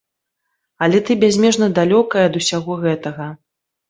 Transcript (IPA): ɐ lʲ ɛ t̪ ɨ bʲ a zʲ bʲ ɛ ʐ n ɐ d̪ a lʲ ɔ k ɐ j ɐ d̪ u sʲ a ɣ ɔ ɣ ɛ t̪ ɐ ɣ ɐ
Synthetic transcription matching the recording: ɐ lʲ ɛ t̪ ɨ bʲ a zʲ mʲ ɛ ʐ n ɐ d̪ a lʲ ɔ k ɐ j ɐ d̪ u sʲ a ɣ ɔ ɣ ɛ t̪ ɐ ɣ ɐ